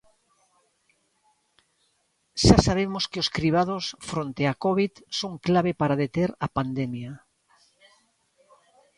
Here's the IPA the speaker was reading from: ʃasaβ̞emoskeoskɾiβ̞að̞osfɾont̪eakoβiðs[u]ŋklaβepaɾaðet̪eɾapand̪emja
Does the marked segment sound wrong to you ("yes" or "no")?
yes